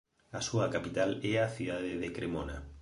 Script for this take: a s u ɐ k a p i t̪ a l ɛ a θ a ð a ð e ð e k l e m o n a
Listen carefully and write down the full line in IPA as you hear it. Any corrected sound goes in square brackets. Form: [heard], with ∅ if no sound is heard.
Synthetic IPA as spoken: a s u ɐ k a p i t̪ a l ɛ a θ [i] ð a ð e ð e k [ɾ] e m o n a